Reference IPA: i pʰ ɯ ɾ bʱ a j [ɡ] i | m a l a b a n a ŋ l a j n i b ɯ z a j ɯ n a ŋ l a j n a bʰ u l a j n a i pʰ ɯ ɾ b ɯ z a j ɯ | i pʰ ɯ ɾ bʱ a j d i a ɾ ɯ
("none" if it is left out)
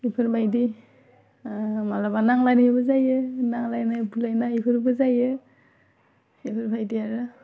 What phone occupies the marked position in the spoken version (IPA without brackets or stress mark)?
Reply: d